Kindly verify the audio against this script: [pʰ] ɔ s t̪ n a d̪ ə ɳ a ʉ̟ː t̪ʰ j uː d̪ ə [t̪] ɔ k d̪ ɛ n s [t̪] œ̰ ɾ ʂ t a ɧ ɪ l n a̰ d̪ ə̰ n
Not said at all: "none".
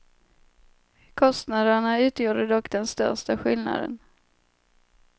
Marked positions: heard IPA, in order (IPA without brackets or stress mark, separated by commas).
kʰ, d̪, t̪